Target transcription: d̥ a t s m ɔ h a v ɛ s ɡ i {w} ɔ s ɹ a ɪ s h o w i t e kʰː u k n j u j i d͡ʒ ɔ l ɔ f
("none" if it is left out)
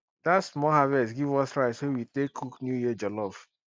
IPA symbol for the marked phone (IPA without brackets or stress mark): v